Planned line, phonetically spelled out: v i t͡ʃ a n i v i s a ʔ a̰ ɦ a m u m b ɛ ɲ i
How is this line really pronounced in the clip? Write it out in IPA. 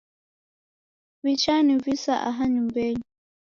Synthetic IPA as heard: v i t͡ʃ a n i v i s a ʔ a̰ ɦ a ɲ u m b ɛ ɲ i